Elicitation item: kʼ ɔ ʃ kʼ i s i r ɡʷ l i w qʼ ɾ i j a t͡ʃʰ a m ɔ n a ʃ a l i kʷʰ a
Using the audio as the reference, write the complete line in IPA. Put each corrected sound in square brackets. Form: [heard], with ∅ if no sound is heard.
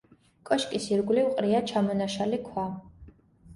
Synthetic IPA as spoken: kʼ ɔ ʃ kʼ i s i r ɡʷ l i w qʼ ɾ i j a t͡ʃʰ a m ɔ n a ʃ a l i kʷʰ a